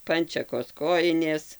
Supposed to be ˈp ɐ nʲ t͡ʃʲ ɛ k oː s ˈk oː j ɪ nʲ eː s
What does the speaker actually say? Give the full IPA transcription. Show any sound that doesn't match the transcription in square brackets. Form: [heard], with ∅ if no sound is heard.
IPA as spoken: ˈp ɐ nʲ t͡ʃʲ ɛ k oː s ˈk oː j ɪ nʲ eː s